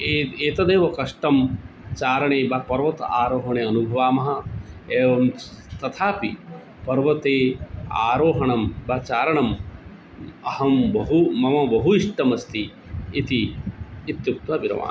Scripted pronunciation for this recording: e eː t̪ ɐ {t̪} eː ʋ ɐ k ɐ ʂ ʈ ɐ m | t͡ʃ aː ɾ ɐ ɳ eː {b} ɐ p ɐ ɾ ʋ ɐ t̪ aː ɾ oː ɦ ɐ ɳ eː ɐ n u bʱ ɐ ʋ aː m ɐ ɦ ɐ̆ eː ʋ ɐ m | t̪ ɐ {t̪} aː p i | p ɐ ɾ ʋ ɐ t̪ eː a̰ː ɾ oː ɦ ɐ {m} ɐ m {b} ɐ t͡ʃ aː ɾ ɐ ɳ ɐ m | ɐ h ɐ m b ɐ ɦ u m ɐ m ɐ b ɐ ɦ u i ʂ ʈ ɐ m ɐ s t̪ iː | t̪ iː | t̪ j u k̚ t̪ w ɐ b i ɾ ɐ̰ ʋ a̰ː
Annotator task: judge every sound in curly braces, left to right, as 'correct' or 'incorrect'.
incorrect: d̪, correct, incorrect: t̪ʰ, incorrect: ɳ, correct

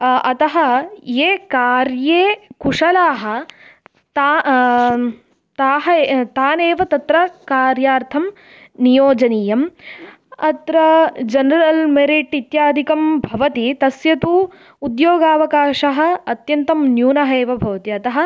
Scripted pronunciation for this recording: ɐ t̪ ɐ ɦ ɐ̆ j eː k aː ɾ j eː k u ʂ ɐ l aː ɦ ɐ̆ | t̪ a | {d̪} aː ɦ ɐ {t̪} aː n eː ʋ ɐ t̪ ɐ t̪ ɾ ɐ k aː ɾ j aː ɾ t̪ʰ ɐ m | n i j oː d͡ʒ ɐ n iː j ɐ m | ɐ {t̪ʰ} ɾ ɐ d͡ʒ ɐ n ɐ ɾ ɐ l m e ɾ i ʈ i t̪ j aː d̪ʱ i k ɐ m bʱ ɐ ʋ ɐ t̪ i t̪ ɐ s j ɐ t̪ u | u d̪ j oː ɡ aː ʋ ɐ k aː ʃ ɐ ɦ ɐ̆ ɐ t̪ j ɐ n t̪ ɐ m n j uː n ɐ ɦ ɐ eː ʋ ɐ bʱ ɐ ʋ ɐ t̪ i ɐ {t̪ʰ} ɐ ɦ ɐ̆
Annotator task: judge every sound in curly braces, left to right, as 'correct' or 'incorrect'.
incorrect: t̪, correct, incorrect: t̪, incorrect: t̪

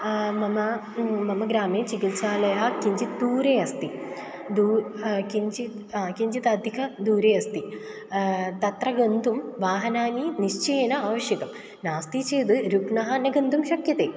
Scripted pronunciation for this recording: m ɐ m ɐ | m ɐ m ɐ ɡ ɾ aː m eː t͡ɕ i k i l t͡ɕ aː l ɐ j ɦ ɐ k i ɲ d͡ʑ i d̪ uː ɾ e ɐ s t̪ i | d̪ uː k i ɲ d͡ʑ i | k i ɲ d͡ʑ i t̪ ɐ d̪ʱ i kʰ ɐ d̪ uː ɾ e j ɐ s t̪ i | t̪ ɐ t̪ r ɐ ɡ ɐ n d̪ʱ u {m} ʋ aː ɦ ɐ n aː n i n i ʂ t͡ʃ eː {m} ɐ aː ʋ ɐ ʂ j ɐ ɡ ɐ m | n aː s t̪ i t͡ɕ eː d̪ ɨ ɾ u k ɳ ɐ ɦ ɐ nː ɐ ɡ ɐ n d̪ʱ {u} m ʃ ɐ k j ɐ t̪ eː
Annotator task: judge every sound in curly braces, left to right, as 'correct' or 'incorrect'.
correct, incorrect: n, correct

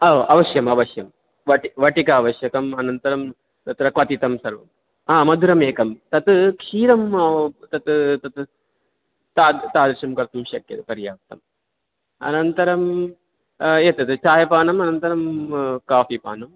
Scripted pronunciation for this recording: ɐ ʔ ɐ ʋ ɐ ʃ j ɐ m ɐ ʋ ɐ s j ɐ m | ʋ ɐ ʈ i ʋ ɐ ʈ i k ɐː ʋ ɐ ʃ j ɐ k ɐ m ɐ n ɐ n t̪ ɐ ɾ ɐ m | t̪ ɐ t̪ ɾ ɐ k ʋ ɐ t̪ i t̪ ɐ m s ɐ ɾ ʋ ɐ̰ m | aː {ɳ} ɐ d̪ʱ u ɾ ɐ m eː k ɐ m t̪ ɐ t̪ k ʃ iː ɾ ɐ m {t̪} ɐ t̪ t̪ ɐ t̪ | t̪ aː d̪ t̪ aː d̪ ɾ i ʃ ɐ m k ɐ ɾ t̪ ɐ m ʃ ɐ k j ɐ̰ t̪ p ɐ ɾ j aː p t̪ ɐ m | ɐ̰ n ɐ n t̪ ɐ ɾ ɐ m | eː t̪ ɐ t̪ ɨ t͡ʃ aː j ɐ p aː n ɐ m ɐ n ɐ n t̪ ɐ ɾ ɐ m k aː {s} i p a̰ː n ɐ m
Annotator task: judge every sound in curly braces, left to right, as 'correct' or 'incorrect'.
incorrect: m, correct, incorrect: f

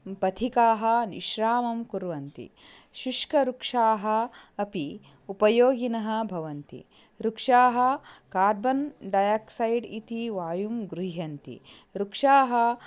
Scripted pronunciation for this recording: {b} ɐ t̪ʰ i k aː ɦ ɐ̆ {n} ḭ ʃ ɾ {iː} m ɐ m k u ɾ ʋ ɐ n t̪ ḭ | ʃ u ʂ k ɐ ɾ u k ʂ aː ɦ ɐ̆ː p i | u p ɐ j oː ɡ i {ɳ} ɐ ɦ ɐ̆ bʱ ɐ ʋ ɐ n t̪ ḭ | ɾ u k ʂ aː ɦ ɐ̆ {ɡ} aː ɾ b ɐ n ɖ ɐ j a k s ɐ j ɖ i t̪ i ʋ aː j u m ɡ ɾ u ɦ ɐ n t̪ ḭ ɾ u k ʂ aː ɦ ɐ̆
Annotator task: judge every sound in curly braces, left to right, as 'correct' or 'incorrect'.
incorrect: p, correct, incorrect: aː, incorrect: n, incorrect: k

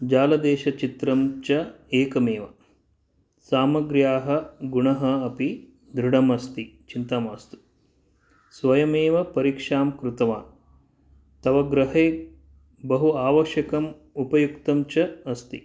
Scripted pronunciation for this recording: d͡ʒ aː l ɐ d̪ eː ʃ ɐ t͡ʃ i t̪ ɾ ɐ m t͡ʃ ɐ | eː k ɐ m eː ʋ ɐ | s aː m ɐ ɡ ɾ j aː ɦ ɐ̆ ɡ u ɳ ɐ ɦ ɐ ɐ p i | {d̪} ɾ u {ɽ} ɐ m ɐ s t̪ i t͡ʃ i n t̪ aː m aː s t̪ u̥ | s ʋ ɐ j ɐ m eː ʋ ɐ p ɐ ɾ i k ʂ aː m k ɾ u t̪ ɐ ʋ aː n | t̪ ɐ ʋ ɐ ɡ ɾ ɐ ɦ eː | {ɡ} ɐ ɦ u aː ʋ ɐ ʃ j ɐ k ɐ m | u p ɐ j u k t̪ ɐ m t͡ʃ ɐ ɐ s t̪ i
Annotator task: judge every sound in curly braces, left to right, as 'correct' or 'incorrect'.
correct, correct, incorrect: b

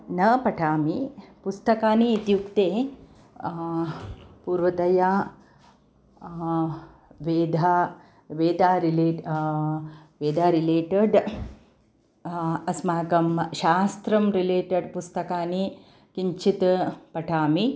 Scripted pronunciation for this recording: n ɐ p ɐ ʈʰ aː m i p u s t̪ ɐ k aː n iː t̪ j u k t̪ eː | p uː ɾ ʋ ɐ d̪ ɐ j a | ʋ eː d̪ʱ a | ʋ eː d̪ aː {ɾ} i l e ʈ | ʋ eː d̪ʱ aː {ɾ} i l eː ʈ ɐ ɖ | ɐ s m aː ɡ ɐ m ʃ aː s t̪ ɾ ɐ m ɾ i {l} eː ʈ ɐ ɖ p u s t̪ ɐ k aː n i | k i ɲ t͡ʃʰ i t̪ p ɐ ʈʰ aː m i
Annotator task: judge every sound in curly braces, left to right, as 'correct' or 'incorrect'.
correct, correct, correct

